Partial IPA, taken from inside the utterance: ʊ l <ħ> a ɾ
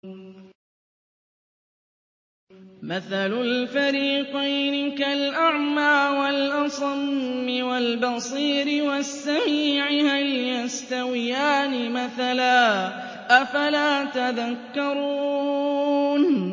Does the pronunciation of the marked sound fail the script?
yes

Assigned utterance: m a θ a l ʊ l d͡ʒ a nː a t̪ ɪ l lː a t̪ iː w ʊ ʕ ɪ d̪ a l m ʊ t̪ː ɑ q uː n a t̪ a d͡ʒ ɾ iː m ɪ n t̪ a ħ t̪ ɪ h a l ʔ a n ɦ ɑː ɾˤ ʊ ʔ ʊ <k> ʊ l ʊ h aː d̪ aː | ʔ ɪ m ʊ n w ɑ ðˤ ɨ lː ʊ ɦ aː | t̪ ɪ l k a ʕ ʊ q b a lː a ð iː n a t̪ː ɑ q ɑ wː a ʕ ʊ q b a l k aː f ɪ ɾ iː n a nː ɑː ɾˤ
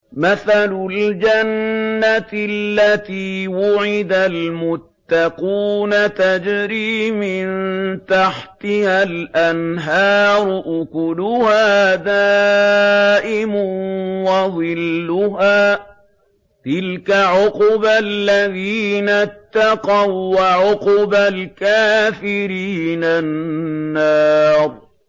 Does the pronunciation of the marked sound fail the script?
no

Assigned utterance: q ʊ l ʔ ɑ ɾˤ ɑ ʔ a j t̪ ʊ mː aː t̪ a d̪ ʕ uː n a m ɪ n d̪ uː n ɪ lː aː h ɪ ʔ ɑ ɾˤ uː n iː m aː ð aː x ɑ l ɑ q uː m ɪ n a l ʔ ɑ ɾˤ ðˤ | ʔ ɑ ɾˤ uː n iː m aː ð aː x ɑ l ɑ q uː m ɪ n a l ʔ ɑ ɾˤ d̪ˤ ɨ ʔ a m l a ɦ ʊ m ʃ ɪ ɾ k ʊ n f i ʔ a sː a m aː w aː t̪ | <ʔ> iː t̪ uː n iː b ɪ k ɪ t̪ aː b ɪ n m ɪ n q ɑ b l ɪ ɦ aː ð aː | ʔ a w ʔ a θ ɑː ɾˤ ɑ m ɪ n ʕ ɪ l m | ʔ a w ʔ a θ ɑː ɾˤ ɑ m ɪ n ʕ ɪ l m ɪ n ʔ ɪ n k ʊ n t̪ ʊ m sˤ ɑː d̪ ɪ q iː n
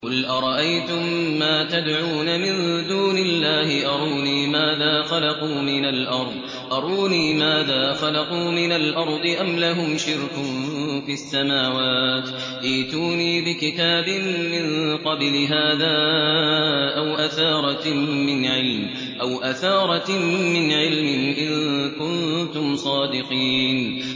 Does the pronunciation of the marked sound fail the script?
no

